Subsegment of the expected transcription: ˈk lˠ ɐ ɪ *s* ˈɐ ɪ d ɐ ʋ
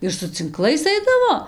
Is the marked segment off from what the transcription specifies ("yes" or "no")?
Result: no